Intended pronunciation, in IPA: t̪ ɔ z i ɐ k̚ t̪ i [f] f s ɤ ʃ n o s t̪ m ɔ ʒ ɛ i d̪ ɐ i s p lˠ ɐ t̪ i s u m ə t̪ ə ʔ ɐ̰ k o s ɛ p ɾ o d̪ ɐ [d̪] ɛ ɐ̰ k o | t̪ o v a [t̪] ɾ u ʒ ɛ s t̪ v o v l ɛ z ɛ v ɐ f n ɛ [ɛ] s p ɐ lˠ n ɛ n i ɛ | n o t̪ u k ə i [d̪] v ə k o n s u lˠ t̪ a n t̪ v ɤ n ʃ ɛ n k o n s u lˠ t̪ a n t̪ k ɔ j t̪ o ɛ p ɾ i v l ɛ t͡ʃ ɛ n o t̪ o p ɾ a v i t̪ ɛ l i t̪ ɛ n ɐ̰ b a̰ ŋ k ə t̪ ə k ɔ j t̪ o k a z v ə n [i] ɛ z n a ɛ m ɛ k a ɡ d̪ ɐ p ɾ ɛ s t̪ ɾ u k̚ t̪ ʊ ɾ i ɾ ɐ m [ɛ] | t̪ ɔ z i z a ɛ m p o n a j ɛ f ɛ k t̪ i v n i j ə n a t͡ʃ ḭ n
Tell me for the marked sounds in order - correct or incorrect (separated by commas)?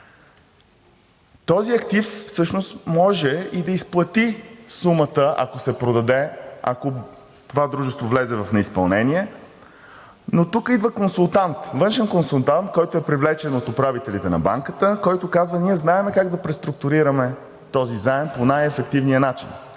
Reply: correct, correct, incorrect, incorrect, correct, correct, correct